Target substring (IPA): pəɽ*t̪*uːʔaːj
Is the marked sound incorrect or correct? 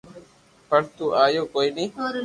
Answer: correct